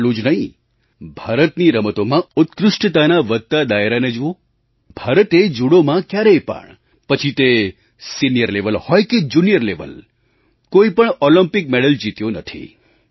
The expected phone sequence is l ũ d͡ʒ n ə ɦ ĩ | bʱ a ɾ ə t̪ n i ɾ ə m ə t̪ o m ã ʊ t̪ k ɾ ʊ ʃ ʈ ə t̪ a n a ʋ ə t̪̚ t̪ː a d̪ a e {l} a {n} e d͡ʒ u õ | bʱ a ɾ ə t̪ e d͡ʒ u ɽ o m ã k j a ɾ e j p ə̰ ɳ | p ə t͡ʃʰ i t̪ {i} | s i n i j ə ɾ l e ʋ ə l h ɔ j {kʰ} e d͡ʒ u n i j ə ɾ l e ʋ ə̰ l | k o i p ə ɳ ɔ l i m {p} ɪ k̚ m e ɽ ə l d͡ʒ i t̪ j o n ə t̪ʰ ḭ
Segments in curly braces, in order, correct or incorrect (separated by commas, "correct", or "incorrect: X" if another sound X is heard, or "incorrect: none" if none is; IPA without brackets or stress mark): incorrect: ɾ, correct, incorrect: e, incorrect: k, correct